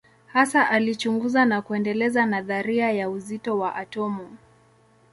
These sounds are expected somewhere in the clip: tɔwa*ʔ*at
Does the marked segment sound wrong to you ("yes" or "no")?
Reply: no